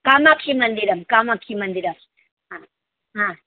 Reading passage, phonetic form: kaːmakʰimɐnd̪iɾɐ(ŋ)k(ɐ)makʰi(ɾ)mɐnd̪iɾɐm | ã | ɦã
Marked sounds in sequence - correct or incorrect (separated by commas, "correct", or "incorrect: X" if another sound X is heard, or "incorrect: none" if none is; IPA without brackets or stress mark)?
incorrect: m, incorrect: a, incorrect: none